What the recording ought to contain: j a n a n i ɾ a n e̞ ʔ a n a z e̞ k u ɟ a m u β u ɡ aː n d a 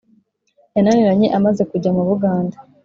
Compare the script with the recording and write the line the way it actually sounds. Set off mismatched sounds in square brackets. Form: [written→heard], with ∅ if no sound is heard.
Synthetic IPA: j a n a n i ɾ a [n→ɲ] e̞ ʔ a [n→m] a z e̞ k u ɟ a m u β u ɡ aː n d a